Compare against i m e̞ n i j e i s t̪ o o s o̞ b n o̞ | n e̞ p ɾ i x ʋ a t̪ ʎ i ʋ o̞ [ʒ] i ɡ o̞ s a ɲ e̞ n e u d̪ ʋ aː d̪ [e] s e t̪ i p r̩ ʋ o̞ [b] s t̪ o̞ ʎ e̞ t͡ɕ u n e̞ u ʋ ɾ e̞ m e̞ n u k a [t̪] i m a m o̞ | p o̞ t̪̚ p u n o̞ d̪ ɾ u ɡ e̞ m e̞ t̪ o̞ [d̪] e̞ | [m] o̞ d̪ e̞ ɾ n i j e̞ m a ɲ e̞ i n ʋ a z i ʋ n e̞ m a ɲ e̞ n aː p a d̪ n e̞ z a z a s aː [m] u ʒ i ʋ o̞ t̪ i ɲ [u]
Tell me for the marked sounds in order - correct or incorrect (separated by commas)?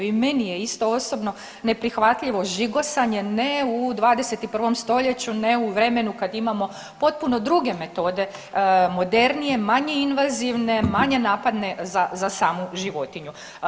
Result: correct, correct, incorrect, incorrect, correct, correct, correct, correct